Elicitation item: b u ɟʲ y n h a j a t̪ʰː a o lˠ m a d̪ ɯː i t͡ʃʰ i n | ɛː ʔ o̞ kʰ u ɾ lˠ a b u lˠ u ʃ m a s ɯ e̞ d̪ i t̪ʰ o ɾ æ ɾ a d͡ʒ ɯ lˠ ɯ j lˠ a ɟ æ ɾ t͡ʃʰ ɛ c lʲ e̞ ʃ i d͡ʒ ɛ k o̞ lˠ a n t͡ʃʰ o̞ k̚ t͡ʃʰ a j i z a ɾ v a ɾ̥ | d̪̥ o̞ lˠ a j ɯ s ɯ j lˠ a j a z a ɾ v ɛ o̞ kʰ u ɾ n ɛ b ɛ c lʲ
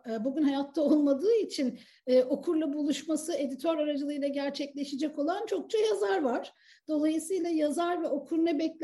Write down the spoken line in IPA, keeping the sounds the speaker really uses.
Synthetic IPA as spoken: b u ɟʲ y n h a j a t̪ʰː a o lˠ m a d̪ ɯː i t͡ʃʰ i n | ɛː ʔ o̞ kʰ u ɾ lˠ a b u lˠ u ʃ m a s ɯ e̞ d̪ i t̪ʰ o ɾ a ɾ a d͡ʒ ɯ lˠ ɯ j lˠ a ɟ æ ɾ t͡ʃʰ ɛ c lʲ e̞ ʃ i d͡ʒ ɛ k o̞ lˠ a n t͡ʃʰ o̞ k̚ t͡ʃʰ a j a z a ɾ v a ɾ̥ | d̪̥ o̞ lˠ a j ɯ s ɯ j lˠ a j a z a ɾ v ɛ o̞ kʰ u ɾ n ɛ b ɛ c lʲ